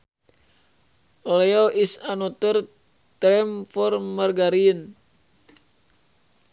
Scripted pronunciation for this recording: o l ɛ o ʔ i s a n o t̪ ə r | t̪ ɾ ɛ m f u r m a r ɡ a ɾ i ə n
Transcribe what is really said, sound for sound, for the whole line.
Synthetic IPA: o l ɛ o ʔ i s a n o t̪ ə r | t̪ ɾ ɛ m f ɔ r m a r ɡ a ɾ i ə n